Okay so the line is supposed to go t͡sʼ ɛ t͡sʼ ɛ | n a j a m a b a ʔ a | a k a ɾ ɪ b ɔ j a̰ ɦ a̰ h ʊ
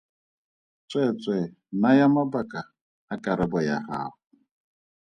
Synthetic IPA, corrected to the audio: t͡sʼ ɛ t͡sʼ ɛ | n a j a m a b a k a | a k a ɾ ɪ b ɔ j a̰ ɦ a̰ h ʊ